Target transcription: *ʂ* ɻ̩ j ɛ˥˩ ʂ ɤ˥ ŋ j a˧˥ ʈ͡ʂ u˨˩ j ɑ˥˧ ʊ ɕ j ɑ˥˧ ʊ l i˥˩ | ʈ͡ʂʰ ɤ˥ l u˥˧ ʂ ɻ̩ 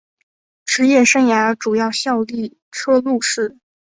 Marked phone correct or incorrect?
incorrect